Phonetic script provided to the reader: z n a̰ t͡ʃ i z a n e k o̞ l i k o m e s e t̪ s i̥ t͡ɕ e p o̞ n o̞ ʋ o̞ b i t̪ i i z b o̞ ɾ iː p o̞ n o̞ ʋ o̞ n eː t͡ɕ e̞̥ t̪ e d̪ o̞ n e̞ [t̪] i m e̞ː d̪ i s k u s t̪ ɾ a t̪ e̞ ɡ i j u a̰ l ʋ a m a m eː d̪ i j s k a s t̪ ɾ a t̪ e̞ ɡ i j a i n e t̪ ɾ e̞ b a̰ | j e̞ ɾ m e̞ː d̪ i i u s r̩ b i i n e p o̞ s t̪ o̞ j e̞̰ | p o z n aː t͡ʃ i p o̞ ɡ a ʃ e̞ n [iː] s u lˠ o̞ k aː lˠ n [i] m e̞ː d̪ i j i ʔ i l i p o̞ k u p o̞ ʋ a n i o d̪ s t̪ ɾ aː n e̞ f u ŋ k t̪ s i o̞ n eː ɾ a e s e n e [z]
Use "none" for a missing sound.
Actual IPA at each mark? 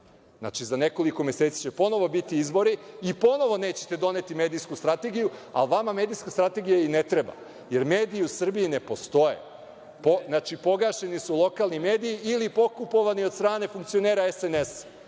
t̪, i, i, s

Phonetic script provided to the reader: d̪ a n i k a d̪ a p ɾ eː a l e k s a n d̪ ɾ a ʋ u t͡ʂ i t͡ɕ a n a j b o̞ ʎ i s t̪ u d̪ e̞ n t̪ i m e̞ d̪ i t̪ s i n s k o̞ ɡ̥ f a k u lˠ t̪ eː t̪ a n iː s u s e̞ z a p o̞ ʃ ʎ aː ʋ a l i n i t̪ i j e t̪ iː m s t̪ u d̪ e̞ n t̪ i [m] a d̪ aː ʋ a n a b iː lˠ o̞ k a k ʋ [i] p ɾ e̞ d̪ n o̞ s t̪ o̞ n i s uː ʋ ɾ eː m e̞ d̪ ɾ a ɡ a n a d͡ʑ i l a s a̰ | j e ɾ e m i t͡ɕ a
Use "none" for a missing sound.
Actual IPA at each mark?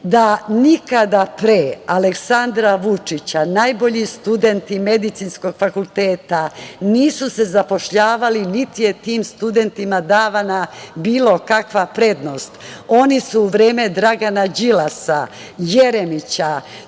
m, a

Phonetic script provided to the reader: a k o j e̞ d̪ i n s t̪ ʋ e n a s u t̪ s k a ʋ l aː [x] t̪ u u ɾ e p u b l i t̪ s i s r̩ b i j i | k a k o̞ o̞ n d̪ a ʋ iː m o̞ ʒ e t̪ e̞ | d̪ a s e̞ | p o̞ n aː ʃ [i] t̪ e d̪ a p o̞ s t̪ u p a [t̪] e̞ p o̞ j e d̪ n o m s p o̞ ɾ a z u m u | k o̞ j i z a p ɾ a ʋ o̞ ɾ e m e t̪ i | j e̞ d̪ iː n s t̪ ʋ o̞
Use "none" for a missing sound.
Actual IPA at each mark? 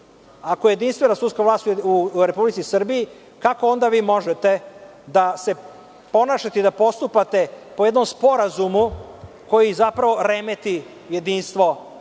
s, a, t̪

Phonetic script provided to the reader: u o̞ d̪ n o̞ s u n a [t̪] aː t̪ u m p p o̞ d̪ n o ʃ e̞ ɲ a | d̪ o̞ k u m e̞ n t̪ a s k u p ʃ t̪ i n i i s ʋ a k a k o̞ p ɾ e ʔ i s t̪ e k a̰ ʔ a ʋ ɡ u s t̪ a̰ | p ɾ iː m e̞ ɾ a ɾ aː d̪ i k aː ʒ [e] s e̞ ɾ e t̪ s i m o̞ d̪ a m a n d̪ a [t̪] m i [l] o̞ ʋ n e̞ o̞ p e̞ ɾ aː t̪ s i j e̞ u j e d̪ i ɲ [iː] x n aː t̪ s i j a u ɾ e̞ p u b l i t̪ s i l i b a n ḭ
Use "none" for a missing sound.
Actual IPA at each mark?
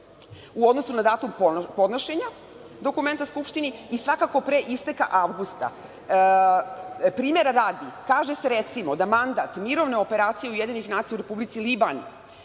d̪, e, t̪, ɾ, i

